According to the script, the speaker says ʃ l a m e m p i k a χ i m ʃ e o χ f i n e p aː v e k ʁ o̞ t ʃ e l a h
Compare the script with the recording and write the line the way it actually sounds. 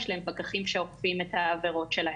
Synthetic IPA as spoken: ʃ l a e m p a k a χ i m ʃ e o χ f i m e t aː v e ʁ o̞ t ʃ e l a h